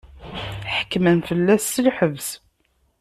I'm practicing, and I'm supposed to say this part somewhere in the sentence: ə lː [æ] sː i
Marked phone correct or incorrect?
correct